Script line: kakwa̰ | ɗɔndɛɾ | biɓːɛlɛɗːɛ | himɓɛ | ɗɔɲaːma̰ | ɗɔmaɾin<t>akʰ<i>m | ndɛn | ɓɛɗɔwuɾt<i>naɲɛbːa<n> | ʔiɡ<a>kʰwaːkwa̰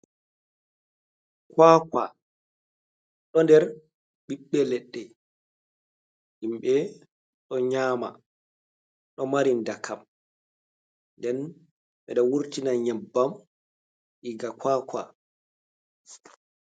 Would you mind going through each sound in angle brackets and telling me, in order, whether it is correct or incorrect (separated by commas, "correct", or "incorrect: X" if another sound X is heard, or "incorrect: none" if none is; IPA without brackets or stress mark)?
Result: incorrect: d, incorrect: a, correct, incorrect: m, correct